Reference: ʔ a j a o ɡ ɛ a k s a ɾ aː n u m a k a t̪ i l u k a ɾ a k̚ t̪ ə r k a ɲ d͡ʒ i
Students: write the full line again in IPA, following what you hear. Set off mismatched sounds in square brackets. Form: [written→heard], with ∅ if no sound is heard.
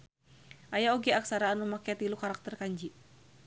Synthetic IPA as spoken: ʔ a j a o ɡ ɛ a k s a ɾ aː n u m a k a t̪ i l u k a ɾ a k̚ t̪ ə r k a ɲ d͡ʒ i